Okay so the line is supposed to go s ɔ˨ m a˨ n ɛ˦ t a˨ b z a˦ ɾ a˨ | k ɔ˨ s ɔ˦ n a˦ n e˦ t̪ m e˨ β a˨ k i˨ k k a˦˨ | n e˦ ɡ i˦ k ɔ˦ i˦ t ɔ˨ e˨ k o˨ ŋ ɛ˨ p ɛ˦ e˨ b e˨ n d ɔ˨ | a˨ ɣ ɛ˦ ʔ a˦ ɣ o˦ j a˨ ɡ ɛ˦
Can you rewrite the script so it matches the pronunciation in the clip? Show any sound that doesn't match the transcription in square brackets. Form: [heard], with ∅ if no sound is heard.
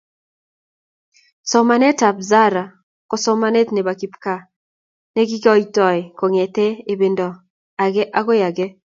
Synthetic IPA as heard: s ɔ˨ m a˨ n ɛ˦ t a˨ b z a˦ ɾ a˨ | k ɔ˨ s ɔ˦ [m] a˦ n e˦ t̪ [n] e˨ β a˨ k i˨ [p] k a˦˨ | n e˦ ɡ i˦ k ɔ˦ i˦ t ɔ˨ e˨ k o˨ ŋ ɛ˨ [t] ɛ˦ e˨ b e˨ n d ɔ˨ | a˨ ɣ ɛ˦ ʔ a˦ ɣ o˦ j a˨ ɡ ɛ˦